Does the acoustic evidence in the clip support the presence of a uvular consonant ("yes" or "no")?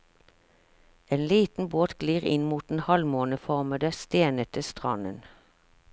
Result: yes